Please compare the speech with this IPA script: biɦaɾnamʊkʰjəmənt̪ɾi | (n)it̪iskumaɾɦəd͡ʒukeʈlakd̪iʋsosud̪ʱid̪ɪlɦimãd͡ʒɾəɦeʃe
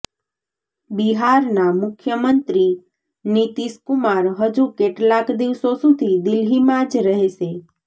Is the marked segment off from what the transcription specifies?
no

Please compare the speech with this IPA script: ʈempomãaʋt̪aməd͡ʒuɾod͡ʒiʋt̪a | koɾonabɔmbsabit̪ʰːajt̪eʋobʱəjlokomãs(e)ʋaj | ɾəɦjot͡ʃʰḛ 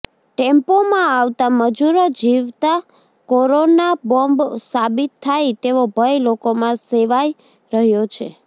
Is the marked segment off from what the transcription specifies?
no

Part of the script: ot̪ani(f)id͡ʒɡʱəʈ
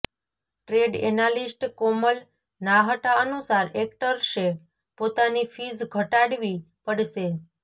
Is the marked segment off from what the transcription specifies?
no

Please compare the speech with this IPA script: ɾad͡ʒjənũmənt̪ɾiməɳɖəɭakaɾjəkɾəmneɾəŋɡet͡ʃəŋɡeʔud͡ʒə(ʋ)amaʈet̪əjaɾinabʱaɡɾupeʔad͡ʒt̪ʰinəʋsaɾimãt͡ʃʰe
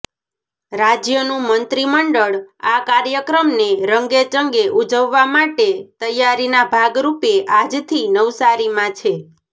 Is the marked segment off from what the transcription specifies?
yes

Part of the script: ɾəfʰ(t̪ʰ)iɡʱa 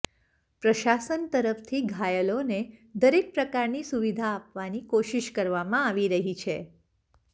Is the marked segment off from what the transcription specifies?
no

